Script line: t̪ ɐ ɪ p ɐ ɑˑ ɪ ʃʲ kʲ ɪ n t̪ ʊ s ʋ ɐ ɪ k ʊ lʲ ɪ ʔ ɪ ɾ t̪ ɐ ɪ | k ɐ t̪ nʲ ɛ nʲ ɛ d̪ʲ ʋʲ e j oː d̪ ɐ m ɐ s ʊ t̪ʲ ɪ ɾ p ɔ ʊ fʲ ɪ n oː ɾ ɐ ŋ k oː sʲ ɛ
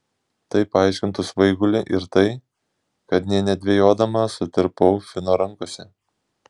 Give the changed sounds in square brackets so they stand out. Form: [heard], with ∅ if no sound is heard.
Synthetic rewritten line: t̪ ɐ ɪ p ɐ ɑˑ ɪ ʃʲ kʲ ɪ n t̪ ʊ s ʋ ɐ ɪ [ɡ] ʊ lʲ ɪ ʔ ɪ ɾ t̪ ɐ ɪ | k ɐ t̪ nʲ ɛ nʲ ɛ d̪ʲ ʋʲ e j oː d̪ ɐ m ɐ s ʊ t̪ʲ ɪ ɾ p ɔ ʊ fʲ ɪ n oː ɾ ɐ ŋ k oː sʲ ɛ